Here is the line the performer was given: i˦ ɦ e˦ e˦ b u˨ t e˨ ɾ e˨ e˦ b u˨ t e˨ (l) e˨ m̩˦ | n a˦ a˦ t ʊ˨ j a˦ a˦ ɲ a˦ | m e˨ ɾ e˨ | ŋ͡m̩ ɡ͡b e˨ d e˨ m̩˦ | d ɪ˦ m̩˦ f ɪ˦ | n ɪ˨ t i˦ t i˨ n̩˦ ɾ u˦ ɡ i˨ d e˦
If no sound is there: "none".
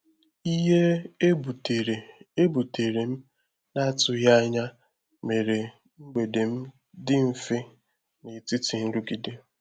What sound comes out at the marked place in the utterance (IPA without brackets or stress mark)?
ɾ